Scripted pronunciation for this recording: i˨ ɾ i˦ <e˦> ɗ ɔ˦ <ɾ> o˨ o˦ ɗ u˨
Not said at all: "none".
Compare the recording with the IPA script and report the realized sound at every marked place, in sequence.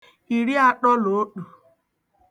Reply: a˦, l

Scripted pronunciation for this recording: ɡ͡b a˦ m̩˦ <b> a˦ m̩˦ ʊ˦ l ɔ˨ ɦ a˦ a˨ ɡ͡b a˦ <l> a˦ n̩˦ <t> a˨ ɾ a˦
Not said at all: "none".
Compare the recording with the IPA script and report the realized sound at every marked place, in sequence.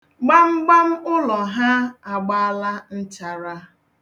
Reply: ɡ͡b, l, t͡ʃ

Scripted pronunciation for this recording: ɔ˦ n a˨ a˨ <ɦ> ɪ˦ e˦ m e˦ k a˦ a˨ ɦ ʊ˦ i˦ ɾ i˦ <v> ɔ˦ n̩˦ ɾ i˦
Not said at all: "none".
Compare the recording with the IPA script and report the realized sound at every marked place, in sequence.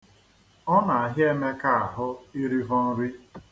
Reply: ɦ, v

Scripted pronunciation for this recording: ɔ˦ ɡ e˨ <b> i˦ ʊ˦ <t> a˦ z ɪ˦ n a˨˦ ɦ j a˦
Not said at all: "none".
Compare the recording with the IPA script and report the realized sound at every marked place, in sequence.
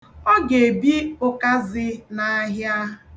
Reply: b, k

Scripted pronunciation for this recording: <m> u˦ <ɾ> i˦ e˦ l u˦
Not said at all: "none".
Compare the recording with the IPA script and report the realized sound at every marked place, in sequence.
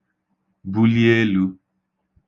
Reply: b, l

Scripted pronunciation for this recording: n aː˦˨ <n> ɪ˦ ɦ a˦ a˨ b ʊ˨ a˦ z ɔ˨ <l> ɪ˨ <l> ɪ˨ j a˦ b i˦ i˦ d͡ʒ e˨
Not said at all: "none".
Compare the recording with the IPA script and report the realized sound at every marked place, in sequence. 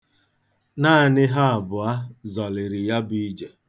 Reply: n, l, ɾ

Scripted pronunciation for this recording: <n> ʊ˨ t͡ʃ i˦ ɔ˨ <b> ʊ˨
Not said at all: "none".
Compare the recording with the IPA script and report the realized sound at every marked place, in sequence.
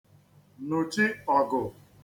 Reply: n, ɡ

